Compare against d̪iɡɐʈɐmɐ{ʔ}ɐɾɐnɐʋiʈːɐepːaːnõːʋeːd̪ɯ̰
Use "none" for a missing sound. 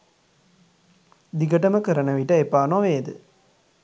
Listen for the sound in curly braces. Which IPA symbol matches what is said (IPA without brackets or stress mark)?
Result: k